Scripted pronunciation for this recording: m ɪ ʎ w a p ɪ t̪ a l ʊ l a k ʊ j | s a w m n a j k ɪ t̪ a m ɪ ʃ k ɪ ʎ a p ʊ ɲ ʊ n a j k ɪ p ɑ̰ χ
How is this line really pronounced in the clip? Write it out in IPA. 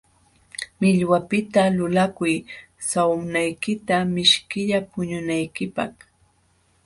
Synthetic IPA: m ɪ ʎ w a p ɪ t̪ a l ʊ l a k ʊ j | s a w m n a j k ɪ t̪ a m ɪ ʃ k ɪ ʎ a p ʊ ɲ ʊ n a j k ɪ p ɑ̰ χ

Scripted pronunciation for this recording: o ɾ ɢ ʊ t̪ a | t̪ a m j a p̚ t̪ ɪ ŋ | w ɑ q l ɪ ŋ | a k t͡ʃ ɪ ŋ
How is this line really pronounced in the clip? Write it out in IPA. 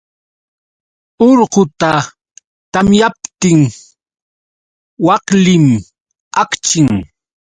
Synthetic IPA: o ɾ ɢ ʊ t̪ a | t̪ a m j a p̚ t̪ ɪ ŋ | w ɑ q l ɪ m | a k t͡ʃ ɪ ŋ

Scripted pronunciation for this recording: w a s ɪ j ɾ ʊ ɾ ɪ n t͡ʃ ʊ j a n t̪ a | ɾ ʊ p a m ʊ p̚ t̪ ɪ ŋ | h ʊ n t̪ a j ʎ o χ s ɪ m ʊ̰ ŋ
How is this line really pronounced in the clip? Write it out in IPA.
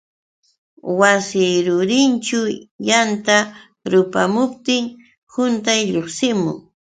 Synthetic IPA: w a s ɪ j ɾ ʊ ɾ ɪ n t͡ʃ ʊ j a n t̪ a | ɾ ʊ p a m ʊ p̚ t̪ ɪ ŋ | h ʊ n t̪ a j ʎ o χ s ɪ m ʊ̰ ŋ

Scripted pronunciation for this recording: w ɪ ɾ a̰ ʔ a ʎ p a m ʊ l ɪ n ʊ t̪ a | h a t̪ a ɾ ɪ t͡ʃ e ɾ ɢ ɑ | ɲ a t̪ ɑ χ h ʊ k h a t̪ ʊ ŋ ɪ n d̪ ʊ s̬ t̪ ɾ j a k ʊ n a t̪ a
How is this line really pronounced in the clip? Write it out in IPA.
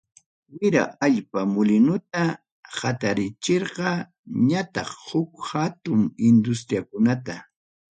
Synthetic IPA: w ɪ ɾ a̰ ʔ a ʎ p a m ʊ l ɪ n ʊ t̪ a | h a t̪ a ɾ ɪ t͡ʃ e ɾ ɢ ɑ | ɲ a t̪ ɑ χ h ʊ k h a t̪ ʊ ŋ ɪ n d̪ ʊ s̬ t̪ ɾ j a k ʊ n a t̪ a

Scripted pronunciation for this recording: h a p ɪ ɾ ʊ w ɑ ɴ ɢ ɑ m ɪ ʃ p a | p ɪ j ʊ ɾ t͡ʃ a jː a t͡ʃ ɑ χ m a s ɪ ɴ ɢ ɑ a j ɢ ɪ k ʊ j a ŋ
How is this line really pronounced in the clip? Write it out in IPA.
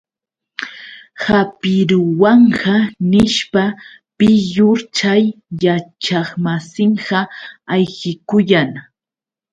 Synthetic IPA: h a p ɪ ɾ ʊ w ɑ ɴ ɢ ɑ n ɪ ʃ p a | p ɪ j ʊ ɾ t͡ʃ a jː a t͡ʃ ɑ χ m a s ɪ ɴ ɢ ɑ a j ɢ ɪ k ʊ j a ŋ

